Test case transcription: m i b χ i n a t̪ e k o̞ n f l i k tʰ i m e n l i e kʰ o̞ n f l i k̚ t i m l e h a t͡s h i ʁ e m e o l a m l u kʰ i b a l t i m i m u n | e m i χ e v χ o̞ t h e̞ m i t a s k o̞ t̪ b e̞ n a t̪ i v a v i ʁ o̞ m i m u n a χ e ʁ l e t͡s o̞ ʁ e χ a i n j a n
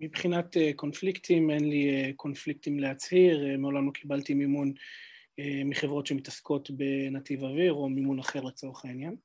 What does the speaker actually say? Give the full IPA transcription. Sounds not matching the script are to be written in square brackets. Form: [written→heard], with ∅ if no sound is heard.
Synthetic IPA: m i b χ i n a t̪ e k o̞ n f l i k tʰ i m e n l i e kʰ o̞ n f l i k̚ t i m l e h a t͡s h i ʁ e m e o l a m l [u→o] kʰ i b a l t i m i m u n | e m i χ e v [χ→ʁ] o̞ t [h→ʃ] e̞ m i t a s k o̞ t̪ b e̞ n a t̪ i v a v i ʁ o̞ m i m u n a χ e ʁ l e t͡s o̞ ʁ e χ a i n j a n